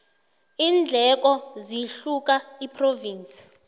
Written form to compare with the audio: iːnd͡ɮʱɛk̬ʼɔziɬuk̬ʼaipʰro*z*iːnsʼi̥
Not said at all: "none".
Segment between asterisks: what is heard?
v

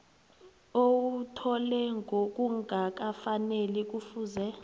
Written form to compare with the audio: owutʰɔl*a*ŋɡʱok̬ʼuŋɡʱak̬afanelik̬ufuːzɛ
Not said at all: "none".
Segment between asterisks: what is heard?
ɛ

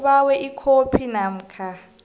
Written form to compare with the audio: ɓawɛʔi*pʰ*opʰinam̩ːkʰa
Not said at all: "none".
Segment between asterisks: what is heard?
kʰ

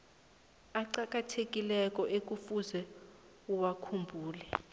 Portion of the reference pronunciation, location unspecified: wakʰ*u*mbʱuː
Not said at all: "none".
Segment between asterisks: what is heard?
u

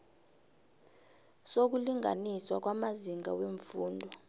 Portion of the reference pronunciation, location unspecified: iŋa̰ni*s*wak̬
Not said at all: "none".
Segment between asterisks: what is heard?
s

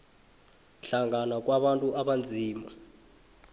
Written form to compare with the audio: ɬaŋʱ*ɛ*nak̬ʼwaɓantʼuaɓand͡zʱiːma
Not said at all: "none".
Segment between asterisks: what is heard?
a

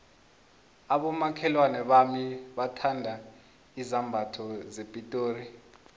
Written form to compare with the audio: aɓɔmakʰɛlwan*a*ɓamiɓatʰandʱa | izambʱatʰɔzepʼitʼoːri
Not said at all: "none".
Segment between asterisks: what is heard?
ɛ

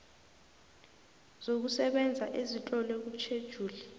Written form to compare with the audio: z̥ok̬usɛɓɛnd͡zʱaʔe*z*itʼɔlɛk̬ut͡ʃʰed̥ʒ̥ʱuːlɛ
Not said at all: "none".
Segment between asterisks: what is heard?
z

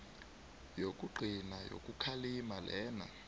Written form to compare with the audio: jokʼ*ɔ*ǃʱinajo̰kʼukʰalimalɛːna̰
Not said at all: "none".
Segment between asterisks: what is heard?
u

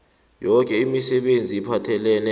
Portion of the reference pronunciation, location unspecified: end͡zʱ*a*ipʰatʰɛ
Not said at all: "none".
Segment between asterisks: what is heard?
i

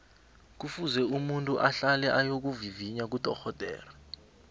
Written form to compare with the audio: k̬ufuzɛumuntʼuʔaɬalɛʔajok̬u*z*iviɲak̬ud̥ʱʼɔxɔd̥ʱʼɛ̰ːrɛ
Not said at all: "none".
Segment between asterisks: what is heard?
v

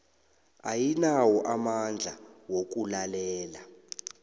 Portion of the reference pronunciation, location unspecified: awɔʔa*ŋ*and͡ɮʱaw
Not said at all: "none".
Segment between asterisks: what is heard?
m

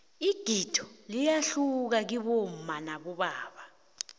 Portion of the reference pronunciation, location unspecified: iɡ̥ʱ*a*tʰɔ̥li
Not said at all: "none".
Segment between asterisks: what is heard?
i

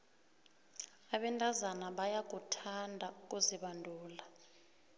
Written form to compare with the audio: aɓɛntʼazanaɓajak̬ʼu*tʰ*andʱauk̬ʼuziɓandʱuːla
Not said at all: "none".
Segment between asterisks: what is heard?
tʰ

